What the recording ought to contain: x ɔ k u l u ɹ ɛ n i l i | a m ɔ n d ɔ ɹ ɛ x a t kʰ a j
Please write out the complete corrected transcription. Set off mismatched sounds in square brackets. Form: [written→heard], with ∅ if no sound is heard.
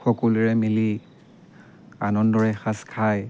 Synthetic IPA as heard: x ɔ k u l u ɹ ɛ [n→m] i l i | a [m→n] ɔ n d ɔ ɹ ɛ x a [t→s] kʰ a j